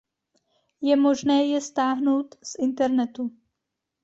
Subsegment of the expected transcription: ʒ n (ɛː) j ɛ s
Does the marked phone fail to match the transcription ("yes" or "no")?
no